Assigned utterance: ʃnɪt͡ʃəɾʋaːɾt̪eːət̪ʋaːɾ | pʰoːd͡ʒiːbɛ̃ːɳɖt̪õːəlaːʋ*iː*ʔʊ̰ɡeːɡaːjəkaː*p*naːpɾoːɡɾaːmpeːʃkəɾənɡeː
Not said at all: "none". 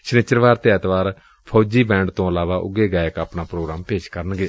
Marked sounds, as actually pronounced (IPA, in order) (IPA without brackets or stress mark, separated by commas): aː, p